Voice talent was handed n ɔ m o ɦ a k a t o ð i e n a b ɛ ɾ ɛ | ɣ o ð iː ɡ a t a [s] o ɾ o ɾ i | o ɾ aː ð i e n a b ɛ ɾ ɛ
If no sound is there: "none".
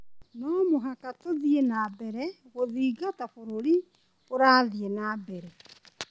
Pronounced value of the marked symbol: f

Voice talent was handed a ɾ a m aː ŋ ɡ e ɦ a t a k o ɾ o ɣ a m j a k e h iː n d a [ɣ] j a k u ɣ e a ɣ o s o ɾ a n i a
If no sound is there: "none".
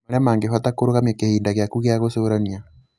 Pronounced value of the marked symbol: ɣ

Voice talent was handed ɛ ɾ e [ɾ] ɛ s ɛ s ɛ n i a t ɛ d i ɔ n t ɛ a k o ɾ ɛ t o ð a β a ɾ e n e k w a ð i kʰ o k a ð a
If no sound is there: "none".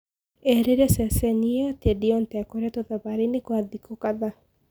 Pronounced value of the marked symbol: ɾ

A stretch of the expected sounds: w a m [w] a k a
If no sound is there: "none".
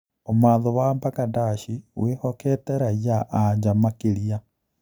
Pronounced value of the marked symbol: b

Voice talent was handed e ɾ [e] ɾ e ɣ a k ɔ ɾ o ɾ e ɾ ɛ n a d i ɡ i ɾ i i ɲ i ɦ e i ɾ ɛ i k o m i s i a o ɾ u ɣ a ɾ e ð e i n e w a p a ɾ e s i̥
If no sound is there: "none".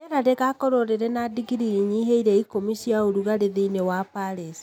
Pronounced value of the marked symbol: a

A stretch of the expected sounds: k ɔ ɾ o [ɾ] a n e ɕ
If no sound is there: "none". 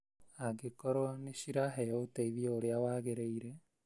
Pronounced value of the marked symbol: none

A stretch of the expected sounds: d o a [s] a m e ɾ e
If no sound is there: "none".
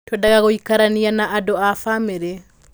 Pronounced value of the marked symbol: f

